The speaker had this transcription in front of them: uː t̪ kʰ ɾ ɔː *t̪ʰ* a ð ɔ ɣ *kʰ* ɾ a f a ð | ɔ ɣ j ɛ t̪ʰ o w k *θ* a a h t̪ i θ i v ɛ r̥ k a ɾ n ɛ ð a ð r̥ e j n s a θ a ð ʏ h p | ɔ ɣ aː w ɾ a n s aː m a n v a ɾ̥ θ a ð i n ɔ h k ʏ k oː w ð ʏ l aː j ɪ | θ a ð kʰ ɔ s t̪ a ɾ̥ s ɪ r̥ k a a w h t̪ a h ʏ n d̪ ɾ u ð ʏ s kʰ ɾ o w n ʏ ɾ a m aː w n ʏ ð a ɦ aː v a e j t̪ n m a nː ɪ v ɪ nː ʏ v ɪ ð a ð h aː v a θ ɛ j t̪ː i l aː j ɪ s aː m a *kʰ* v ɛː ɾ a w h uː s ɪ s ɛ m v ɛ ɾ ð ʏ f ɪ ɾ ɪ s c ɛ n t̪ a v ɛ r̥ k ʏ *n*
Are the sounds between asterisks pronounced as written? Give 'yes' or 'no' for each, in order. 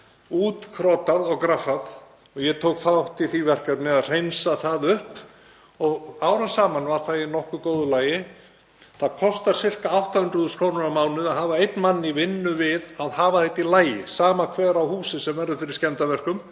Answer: no, no, yes, yes, no

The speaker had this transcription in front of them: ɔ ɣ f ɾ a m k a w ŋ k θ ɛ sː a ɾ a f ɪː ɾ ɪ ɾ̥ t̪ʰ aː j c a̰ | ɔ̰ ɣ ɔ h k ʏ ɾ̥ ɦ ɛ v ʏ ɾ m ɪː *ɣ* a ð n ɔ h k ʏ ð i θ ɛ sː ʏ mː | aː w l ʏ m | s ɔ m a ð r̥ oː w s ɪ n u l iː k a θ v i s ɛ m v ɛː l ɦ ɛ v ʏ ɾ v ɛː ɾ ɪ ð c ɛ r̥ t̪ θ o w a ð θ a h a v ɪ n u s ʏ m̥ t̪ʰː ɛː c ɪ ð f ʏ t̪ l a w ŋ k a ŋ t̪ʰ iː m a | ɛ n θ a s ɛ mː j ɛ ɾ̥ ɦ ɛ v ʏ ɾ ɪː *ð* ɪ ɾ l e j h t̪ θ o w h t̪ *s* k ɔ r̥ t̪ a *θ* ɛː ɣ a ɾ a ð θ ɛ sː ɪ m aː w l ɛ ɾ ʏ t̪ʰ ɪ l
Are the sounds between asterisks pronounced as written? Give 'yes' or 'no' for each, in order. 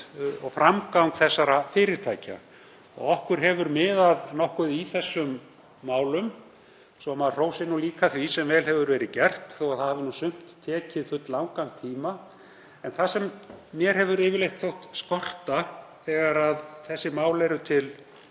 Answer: no, no, yes, yes

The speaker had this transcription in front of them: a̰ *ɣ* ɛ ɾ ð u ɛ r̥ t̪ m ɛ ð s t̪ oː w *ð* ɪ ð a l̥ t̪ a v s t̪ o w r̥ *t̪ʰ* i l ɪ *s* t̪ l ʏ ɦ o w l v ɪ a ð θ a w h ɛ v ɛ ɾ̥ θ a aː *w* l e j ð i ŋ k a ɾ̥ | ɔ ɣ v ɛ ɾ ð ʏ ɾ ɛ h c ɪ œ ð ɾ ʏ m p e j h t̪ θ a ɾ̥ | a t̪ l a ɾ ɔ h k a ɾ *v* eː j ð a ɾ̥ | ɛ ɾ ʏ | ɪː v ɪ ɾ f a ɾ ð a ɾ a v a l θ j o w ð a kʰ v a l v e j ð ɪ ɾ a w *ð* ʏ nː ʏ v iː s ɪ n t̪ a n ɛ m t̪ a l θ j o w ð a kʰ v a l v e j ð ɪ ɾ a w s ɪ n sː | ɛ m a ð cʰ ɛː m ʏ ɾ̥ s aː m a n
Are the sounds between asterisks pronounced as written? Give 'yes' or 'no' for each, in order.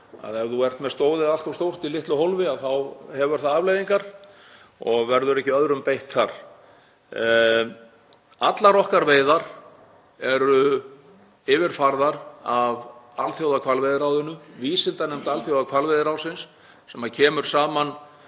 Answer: no, yes, no, no, no, yes, yes

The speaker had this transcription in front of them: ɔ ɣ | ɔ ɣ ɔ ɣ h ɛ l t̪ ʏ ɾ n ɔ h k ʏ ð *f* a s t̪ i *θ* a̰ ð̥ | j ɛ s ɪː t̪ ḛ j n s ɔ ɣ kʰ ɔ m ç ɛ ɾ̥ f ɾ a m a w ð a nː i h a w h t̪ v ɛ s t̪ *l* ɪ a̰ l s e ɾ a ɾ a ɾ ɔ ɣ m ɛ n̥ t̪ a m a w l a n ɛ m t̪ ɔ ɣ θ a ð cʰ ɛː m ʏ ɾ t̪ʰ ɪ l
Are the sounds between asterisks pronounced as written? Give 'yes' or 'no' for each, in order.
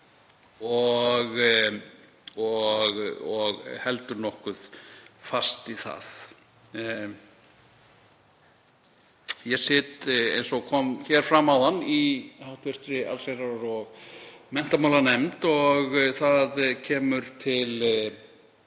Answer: yes, yes, no

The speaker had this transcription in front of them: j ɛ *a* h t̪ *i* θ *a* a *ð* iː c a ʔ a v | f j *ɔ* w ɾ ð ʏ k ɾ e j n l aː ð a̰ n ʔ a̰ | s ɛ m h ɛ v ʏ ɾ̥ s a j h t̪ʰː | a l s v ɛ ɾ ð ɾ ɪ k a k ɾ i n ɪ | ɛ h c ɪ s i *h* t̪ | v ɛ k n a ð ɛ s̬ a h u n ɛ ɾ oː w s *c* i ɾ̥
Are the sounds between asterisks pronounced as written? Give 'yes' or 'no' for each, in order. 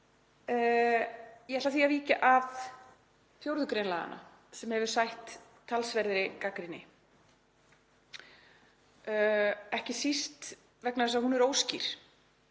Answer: no, no, no, no, no, no, yes

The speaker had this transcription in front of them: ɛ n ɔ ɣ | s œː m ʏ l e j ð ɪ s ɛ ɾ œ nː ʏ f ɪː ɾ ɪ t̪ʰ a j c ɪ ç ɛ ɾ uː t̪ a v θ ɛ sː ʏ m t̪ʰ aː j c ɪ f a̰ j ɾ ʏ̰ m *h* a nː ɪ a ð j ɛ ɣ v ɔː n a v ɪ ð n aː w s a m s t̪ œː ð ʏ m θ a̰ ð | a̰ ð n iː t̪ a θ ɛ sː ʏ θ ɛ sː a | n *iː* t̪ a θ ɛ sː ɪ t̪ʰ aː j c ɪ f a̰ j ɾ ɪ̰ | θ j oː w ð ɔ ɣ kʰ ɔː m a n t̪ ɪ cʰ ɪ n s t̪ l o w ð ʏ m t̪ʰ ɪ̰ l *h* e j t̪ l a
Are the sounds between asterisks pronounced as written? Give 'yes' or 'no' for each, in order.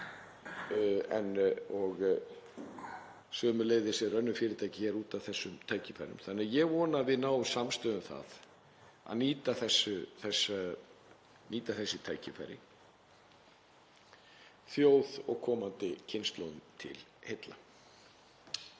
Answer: no, yes, yes

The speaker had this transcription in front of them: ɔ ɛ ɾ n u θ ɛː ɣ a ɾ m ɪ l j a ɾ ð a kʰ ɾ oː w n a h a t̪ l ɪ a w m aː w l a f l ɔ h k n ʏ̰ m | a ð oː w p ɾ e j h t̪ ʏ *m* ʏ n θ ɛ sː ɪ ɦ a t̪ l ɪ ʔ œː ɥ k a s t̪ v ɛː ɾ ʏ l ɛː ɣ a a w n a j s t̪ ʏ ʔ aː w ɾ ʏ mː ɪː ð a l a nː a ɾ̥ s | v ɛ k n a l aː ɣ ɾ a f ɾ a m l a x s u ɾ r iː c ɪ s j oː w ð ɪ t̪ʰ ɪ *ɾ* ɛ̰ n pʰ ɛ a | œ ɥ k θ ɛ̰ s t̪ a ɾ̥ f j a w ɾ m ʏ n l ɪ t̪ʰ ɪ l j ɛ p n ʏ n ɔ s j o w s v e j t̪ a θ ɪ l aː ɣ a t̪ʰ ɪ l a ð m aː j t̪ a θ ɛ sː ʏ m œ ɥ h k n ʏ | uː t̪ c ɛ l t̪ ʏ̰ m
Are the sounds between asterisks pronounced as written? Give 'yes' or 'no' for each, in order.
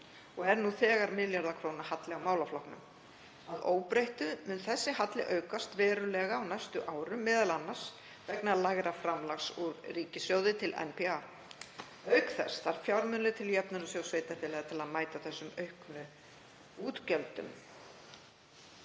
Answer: yes, no

